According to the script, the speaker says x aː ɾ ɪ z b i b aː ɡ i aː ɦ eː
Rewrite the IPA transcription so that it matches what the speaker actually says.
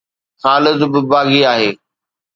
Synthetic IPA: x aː l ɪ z b ɪ b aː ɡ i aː ɦ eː